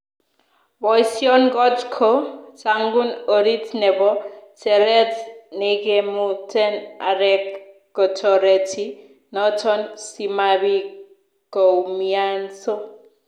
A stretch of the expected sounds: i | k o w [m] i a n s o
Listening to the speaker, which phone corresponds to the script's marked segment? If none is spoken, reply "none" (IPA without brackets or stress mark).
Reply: m